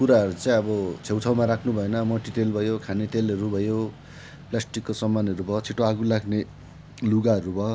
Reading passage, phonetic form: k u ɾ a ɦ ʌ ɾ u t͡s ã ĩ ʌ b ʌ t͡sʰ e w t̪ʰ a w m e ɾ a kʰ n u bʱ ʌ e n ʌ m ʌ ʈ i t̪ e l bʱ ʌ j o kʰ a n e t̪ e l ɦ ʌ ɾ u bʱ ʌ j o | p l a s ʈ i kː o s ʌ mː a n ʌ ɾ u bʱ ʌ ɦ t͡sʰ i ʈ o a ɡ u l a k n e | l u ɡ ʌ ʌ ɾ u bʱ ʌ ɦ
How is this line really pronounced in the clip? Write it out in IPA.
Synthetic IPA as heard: k u ɾ a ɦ ʌ ɾ u t͡s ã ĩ ʌ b ʌ t͡sʰ e w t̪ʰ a w m a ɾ a kʰ n u bʱ ʌ e n ʌ m ʌ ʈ i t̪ e l bʱ ʌ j o kʰ a n e t̪ e l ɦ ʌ ɾ u bʱ ʌ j o | p l a s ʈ i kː o s ʌ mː a n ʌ ɾ u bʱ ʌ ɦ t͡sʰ i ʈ o a ɡ u l a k n e | l u ɡ a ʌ ɾ u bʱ ʌ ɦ